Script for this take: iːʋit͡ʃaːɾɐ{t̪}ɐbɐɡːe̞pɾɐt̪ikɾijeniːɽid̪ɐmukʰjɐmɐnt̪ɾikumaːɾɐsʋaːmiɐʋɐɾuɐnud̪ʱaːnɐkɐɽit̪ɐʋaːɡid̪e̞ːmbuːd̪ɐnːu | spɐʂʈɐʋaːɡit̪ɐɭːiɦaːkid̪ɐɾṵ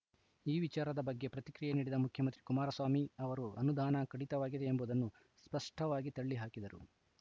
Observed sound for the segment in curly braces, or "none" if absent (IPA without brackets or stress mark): d̪